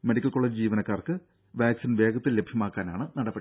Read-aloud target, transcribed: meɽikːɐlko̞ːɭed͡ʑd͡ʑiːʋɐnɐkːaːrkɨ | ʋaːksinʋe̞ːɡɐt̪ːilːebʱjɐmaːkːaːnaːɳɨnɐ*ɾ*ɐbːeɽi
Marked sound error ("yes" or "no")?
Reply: yes